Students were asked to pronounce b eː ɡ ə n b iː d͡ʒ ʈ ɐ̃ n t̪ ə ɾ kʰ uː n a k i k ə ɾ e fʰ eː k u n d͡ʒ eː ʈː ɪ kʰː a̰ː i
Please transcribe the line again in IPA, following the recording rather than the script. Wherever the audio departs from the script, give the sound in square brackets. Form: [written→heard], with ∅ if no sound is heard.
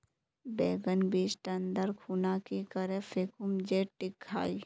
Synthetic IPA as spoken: b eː ɡ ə n b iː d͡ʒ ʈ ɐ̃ n [t̪→d̪] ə ɾ kʰ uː n a k i k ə ɾ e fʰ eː k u [n→m] d͡ʒ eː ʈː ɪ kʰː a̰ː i